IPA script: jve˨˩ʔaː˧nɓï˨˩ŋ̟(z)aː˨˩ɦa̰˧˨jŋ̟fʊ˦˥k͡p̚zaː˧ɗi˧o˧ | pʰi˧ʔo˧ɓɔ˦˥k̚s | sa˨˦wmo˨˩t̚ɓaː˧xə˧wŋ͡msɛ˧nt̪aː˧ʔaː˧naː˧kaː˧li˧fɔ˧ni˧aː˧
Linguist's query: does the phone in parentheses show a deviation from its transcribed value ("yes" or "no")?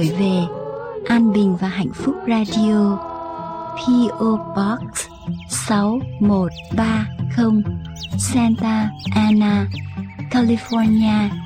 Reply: yes